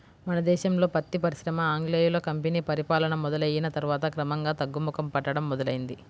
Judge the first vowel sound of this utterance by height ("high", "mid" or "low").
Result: low